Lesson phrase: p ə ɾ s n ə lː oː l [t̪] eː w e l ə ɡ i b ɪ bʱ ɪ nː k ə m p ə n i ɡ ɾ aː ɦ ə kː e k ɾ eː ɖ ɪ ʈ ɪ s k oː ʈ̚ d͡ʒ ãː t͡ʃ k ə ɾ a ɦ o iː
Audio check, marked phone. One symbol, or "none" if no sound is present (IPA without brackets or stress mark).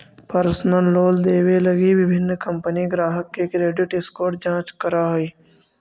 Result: d̪